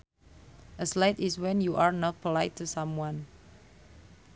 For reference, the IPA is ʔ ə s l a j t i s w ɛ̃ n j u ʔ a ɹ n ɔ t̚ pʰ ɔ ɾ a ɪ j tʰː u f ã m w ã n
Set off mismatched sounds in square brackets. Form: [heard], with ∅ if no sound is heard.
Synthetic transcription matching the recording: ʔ ə s l a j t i s w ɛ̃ n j u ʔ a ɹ n ɔ t̚ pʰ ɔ [l] a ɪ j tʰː u [s] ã m w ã n

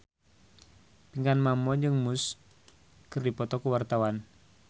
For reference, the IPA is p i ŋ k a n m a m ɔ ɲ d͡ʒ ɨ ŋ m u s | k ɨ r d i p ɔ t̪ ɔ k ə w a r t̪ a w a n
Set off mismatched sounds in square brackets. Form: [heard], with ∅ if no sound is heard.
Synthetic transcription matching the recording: p i ŋ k a n m a m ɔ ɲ d͡ʒ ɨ ŋ m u s | k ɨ r d i p ɔ t̪ ɔ k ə w a r t̪ a w a n

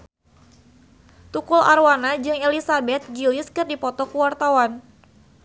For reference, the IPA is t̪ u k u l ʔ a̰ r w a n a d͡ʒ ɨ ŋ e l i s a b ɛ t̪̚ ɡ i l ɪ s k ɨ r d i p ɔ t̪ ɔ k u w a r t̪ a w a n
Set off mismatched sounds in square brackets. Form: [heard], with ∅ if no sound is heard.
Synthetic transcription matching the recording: t̪ u k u l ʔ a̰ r w a n a d͡ʒ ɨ ŋ e l i s a b ɛ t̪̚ ɡ i l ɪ s k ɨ r d i p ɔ t̪ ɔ k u w a r t̪ a w a n

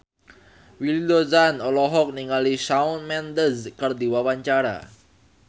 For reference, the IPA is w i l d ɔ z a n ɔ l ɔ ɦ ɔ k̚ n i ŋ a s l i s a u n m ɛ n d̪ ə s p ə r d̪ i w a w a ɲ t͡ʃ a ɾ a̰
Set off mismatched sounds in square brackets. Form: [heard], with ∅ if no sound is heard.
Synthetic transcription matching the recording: w i l d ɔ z a n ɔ l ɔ ɦ ɔ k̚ n i ŋ a [∅] l i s a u n m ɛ n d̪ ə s [k] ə r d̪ i w a w a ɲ t͡ʃ a ɾ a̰

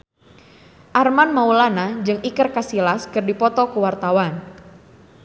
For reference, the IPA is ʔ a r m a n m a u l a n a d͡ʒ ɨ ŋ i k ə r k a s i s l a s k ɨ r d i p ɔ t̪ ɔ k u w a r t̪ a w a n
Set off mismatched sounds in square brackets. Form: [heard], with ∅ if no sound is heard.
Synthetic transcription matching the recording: ʔ a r m a n m a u l a n a d͡ʒ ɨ ŋ i k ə r k a s i [∅] l a s k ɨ r d i p ɔ t̪ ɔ k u w a r t̪ a w a n

